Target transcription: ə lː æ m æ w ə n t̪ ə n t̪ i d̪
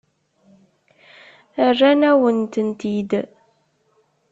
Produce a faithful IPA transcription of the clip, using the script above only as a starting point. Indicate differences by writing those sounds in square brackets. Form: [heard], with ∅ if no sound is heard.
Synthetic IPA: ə [rː] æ [n] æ w ə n t̪ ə n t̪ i d̪